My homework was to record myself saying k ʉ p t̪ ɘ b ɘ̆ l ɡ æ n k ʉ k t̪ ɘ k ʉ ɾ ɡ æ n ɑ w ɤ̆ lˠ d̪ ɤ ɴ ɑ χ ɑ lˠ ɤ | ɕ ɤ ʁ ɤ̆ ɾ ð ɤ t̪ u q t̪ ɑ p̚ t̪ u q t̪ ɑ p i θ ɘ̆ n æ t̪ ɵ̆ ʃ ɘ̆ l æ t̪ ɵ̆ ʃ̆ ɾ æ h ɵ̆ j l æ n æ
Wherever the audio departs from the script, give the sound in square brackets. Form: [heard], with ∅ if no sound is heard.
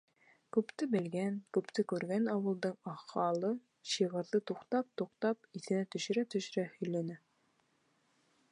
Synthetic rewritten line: k ʉ p t̪ ɘ b ɘ̆ l ɡ æ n k ʉ [p] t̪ ɘ k ʉ ɾ ɡ æ n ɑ w ɤ̆ lˠ d̪ ɤ ɴ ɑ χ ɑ lˠ ɤ | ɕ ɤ ʁ ɤ̆ ɾ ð ɤ t̪ u q t̪ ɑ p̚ t̪ u q t̪ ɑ p i θ ɘ̆ n æ t̪ ɵ̆ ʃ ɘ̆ [ɾ] æ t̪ ɵ̆ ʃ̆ ɾ æ h ɵ̆ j l æ n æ